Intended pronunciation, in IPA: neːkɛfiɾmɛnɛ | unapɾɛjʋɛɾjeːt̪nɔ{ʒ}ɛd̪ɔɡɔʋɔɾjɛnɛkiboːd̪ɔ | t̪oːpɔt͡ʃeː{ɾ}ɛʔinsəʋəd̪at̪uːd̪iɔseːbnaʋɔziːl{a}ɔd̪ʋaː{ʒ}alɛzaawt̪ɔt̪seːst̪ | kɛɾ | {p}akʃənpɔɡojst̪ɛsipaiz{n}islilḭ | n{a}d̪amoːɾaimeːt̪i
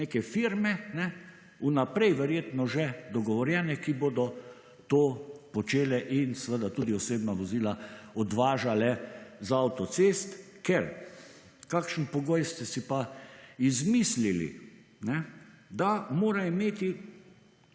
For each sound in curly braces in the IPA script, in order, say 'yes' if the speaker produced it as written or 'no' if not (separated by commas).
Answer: yes, no, yes, yes, no, no, no